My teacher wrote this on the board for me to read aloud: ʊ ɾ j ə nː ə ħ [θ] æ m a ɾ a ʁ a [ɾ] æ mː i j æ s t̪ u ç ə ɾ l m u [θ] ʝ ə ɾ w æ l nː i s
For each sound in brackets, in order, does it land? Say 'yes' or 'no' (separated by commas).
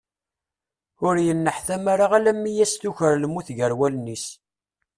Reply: yes, no, yes